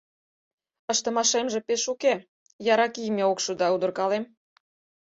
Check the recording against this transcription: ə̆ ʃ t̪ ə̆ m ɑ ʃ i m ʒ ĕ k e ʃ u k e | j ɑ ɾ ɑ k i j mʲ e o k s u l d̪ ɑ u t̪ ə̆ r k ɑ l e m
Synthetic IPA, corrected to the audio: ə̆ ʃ t̪ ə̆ m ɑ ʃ e m ʒ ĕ p e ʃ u k e | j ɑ ɾ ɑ k i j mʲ e o k ʃ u d̪ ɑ u d̪ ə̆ r k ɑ l e m